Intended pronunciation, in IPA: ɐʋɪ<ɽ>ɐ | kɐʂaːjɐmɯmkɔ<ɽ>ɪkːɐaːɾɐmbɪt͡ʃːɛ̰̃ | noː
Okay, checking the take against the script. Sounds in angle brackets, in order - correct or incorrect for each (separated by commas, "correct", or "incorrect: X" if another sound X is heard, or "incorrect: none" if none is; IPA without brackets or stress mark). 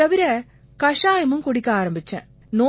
incorrect: ɾ, correct